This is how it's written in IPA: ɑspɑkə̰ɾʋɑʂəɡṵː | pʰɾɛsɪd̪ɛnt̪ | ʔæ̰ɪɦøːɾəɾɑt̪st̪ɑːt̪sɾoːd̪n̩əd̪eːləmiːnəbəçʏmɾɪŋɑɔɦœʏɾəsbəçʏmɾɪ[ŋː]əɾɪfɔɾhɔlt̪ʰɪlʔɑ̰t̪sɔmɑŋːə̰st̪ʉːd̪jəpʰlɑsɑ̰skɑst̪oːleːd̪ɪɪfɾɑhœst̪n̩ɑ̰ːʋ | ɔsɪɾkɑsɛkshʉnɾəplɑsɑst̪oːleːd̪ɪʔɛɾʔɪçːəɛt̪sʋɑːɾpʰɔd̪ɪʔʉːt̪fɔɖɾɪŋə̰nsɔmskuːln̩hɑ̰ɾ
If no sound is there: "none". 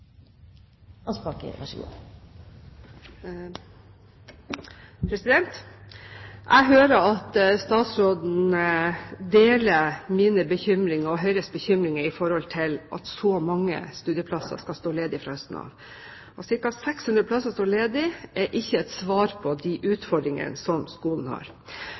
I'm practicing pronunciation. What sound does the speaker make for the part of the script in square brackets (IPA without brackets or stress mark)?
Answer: ŋ